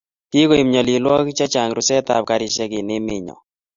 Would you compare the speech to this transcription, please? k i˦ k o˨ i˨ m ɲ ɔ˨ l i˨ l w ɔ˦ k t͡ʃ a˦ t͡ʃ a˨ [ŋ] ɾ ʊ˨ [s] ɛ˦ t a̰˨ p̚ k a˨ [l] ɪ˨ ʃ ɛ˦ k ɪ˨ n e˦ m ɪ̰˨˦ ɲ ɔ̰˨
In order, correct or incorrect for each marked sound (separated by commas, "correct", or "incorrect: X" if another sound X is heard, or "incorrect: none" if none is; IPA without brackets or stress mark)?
correct, correct, incorrect: ɾ